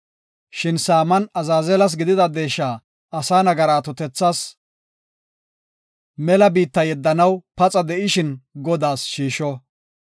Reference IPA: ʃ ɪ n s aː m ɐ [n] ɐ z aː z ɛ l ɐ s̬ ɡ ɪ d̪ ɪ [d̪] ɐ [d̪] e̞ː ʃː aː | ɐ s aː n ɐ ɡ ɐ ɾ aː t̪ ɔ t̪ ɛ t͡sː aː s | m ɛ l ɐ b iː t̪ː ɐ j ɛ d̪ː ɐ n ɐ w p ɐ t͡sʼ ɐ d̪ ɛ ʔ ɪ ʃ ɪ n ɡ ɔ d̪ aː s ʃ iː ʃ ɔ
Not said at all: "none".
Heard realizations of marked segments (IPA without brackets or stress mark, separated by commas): n, d̪, d̪